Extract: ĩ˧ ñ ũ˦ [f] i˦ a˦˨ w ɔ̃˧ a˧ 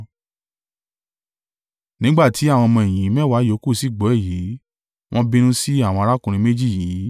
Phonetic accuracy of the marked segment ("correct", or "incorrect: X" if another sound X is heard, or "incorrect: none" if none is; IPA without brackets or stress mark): incorrect: s